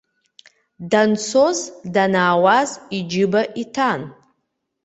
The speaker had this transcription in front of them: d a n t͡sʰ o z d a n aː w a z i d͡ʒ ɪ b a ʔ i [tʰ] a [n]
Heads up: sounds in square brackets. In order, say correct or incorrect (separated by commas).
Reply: correct, correct